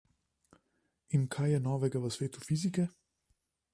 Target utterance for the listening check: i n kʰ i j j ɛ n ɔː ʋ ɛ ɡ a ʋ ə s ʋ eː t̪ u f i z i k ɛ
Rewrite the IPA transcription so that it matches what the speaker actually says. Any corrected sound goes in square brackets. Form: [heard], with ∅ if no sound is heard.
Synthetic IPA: i n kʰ [a] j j ɛ n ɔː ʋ ɛ ɡ a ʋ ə s ʋ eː t̪ u f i z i k ɛ